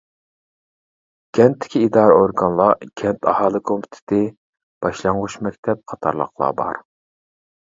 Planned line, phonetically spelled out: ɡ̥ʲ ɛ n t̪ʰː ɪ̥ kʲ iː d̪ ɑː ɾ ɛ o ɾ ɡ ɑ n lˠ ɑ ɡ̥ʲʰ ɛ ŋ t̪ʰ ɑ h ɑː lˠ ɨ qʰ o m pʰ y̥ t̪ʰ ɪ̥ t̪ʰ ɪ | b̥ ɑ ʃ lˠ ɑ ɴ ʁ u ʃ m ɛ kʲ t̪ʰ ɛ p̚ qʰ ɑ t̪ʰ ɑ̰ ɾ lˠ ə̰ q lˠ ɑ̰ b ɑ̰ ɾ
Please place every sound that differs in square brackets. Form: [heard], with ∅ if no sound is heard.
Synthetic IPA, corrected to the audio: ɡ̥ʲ ɛ n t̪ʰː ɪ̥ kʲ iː d̪ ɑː ɾ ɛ o ɾ ɡ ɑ n lˠ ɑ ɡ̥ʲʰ ɛ [n] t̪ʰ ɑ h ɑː lˠ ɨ [kʰ] o m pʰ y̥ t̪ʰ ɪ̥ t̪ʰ ɪ | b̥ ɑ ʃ lˠ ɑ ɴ ʁ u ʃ m ɛ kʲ t̪ʰ ɛ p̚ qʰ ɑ t̪ʰ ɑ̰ ɾ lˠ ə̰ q lˠ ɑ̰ b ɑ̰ ɾ